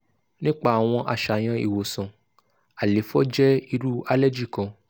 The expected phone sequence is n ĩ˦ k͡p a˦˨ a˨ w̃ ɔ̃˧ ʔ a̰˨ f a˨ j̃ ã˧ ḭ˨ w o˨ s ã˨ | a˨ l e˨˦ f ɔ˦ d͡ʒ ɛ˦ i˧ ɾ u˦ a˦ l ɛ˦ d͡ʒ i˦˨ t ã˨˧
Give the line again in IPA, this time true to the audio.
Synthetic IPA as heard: n ĩ˦ k͡p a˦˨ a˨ w̃ ɔ̃˧ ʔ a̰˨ ʃ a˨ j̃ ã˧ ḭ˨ w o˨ s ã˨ | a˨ l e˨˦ f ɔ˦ d͡ʒ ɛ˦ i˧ ɾ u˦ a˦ l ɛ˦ d͡ʒ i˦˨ k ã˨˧